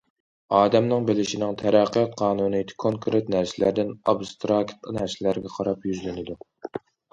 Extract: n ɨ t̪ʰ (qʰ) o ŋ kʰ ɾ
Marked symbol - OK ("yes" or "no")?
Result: no